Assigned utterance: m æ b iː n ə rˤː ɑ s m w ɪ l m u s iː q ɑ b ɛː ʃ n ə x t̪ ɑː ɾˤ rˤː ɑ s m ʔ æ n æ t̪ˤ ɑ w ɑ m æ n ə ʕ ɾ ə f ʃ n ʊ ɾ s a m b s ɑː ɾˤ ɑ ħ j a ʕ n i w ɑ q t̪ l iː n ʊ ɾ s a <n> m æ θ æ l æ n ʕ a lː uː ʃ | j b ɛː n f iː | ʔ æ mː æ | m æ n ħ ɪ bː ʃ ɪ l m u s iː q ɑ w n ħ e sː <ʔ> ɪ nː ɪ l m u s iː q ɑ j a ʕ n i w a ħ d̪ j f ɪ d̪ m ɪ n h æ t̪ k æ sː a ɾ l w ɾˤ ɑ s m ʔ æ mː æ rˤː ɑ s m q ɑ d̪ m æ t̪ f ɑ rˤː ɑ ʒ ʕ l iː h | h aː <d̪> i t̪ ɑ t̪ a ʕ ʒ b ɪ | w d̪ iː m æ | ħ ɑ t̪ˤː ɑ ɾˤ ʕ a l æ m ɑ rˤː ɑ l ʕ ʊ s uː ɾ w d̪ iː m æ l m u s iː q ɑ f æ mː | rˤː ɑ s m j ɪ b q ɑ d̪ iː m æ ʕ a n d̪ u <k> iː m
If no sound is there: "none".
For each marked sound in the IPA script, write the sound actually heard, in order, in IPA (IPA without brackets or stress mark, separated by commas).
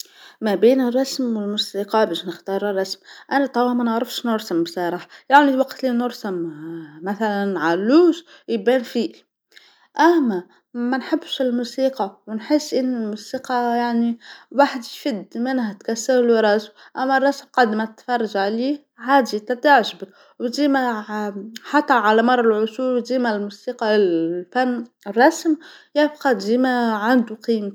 m, ʔ, d̪, q